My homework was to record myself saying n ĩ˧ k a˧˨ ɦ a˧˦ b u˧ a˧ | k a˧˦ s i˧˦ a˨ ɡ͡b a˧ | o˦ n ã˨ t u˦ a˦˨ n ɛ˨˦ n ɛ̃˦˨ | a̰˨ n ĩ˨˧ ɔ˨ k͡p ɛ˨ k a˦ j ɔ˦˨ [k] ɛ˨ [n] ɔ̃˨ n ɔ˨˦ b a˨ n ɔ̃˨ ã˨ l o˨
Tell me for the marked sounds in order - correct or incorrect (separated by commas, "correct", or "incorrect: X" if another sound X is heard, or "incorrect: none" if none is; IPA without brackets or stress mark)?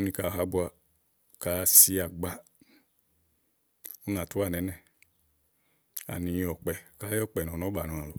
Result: incorrect: k͡p, correct